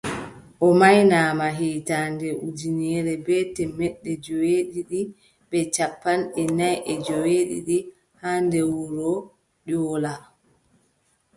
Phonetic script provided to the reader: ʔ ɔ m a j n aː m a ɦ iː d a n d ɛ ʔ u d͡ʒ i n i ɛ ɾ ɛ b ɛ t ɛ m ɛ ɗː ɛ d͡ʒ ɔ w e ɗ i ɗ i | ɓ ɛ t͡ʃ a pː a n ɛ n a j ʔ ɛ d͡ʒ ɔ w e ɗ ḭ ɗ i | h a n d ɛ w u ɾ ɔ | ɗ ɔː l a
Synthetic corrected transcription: ʔ ɔ m a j n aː m a ɦ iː t a n d ɛ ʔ u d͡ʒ i n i ɛ ɾ ɛ b ɛ t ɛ m ɛ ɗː ɛ d͡ʒ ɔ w e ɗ i ɗ i | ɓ ɛ t͡ʃ a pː a n ɛ n a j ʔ ɛ d͡ʒ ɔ w e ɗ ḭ ɗ i | h a n d ɛ w u ɾ ɔ | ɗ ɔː l a